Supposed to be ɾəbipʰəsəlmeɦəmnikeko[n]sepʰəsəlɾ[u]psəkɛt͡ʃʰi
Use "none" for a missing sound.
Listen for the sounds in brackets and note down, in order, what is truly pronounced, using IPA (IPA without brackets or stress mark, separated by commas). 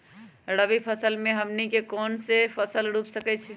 n, u